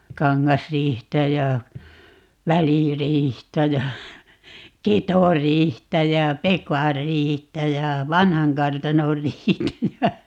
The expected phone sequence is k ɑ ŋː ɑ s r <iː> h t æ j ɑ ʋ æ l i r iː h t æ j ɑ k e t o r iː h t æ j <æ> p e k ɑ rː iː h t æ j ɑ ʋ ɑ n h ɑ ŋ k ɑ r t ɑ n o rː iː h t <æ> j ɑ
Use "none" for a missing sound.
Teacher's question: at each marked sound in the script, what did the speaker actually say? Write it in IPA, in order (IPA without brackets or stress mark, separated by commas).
iː, æ, æ